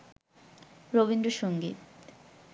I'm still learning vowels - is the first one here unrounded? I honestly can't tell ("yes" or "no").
no